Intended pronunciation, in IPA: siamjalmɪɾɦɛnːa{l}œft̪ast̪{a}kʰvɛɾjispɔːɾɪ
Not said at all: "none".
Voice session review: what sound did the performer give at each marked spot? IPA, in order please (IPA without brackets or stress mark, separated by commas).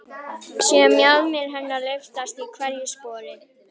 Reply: l, i